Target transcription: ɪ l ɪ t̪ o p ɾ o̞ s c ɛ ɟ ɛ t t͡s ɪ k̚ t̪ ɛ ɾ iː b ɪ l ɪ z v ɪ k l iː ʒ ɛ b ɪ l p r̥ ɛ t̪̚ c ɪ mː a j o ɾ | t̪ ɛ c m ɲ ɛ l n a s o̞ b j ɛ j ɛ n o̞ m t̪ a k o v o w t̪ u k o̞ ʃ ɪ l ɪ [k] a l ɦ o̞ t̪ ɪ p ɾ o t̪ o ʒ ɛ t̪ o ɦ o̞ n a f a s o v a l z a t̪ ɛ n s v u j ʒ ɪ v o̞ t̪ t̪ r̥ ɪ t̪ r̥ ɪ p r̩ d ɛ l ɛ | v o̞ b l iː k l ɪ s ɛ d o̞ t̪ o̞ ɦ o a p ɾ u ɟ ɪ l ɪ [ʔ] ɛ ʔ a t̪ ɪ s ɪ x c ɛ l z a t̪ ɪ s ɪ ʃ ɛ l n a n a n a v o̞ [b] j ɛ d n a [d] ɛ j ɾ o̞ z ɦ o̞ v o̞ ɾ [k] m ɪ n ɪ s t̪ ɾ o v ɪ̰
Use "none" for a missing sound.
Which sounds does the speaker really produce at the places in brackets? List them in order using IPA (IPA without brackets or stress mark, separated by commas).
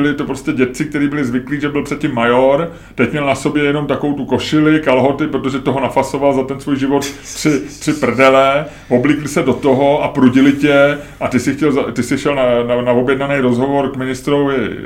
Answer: k, c, b, n, k